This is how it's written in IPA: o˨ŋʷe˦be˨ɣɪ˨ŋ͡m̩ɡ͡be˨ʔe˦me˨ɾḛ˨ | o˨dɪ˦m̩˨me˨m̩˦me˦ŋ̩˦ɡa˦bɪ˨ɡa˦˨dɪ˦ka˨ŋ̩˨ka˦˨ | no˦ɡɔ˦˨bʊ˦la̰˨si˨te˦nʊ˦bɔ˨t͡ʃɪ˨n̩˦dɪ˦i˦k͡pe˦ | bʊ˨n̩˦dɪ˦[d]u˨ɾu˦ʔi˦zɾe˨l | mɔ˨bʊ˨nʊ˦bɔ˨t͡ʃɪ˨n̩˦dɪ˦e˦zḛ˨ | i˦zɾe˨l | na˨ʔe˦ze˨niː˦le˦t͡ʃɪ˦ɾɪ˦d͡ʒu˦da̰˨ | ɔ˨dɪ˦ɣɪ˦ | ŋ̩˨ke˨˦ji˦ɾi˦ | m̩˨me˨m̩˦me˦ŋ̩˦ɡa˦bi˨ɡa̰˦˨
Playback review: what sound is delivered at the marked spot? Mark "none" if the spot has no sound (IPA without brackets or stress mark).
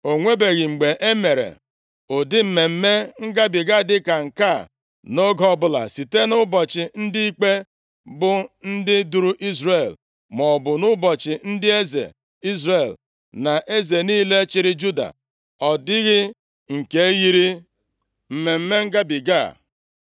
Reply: d